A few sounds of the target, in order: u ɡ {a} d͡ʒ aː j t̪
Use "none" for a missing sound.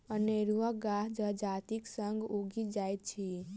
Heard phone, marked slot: i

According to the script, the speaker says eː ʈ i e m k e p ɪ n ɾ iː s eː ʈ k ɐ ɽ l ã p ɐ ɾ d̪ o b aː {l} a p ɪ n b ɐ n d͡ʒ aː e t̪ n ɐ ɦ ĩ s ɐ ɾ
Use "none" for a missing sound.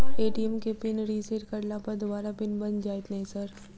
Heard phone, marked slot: ɾ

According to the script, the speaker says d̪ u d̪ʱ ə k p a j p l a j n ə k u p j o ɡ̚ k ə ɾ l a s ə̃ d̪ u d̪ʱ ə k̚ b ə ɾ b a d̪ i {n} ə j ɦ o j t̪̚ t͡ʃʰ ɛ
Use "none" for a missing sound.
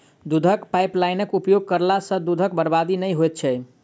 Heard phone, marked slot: n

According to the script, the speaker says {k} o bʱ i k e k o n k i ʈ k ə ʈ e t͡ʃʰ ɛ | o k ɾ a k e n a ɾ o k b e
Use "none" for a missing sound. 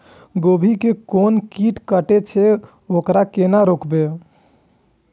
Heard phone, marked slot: ɡ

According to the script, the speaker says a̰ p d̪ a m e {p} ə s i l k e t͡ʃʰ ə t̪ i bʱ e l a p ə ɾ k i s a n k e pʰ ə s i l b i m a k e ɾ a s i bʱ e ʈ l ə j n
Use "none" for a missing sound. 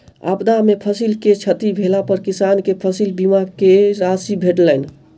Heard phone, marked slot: pʰ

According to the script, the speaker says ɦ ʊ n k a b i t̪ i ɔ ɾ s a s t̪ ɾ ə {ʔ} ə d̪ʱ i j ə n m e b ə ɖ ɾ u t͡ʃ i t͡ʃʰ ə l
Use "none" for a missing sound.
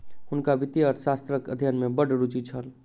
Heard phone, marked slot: k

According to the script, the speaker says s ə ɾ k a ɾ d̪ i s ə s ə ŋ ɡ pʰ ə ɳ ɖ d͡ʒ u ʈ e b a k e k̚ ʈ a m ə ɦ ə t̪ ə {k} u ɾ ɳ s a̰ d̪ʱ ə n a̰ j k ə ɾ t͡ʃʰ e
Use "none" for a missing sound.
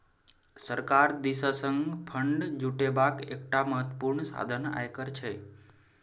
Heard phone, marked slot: p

